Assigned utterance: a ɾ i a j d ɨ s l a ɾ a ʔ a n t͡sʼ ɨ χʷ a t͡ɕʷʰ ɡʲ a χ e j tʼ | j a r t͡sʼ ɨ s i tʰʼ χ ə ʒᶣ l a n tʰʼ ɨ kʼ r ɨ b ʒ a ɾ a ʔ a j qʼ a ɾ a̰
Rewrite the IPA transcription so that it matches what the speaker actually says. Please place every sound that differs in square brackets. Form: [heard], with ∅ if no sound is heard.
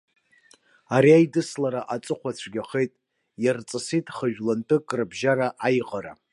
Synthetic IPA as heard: a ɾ i a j d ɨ s l a ɾ a ʔ a [∅] t͡sʼ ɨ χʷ a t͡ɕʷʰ ɡʲ a χ e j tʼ | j a r t͡sʼ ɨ s i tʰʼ χ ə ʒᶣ l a n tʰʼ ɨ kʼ r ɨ b ʒ a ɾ a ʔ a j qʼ a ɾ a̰